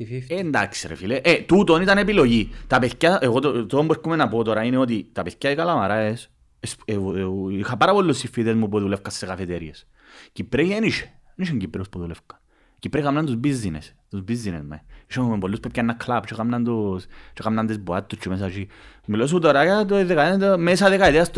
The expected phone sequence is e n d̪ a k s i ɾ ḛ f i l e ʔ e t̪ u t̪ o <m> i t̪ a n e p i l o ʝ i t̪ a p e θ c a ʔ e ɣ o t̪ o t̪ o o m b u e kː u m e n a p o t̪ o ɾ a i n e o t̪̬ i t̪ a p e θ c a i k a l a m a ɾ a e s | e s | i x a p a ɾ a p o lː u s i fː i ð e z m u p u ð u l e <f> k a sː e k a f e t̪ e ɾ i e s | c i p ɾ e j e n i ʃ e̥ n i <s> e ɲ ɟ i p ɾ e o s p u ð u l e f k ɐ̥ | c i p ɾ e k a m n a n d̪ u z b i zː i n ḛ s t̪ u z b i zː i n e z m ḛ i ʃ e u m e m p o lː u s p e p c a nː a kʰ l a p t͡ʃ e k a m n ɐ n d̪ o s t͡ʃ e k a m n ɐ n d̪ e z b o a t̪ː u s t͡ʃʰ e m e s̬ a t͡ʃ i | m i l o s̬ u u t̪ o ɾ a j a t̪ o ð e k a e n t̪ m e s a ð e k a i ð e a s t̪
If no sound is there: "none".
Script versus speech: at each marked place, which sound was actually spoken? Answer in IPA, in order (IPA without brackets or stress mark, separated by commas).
n, f, ʃ